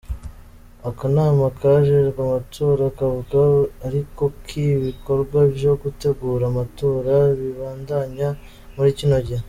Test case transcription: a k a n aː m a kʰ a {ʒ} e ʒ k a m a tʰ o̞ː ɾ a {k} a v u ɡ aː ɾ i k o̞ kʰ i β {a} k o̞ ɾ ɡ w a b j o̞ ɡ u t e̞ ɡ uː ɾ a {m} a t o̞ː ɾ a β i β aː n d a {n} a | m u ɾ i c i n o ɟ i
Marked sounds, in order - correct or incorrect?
correct, correct, incorrect: i, correct, incorrect: ɲ

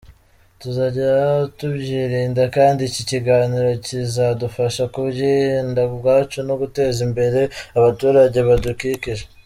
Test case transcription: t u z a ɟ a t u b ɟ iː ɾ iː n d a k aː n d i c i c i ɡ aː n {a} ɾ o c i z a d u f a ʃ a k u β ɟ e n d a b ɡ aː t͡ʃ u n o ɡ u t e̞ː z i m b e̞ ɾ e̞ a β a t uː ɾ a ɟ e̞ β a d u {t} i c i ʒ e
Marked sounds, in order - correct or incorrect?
incorrect: i, incorrect: k

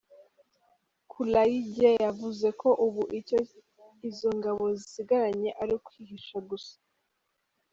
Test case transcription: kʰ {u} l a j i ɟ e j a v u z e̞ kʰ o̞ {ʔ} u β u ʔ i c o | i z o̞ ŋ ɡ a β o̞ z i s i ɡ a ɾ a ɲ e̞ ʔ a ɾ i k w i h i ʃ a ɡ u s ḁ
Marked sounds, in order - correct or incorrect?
correct, correct

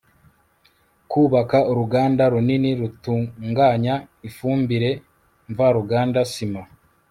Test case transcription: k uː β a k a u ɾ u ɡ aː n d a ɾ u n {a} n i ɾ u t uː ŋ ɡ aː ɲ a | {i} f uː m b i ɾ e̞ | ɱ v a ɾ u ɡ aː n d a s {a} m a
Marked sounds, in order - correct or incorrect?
incorrect: i, correct, incorrect: i

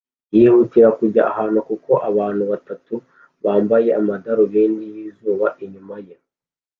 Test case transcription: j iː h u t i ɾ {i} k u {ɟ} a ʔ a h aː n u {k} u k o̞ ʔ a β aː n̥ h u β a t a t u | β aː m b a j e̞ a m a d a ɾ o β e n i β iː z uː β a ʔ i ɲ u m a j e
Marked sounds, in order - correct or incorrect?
incorrect: a, correct, correct

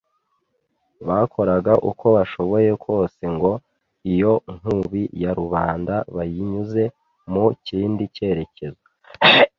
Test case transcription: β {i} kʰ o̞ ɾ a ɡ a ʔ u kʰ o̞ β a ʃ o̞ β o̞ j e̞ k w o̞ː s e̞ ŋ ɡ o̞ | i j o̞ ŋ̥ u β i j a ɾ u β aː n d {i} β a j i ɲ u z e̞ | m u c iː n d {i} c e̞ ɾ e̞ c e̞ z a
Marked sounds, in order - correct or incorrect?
incorrect: a, incorrect: a, correct

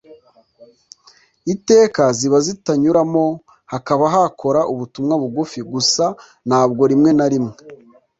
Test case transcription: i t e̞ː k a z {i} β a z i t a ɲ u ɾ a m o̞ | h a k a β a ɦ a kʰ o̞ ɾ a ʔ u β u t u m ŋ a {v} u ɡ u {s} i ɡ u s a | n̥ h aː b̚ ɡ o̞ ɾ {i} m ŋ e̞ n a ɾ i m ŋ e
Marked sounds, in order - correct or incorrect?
correct, incorrect: β, incorrect: f, correct

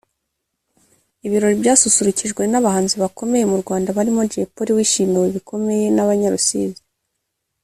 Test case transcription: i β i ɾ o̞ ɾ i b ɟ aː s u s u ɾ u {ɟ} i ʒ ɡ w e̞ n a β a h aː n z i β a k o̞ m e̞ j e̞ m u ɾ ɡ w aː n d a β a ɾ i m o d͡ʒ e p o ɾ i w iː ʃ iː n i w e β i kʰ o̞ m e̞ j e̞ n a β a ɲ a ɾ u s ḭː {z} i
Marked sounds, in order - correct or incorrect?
incorrect: c, correct

